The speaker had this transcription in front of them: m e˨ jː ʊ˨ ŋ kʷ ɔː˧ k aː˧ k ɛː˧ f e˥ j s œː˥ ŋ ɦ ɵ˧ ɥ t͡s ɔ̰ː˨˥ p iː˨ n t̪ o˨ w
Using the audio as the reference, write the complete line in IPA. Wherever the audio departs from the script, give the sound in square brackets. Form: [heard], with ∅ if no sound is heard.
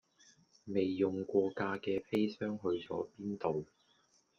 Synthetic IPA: m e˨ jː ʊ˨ ŋ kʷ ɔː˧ k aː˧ k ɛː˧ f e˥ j s œː˥ ŋ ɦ ɵ˧ ɥ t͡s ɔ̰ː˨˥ p [iː˥] n t̪ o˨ w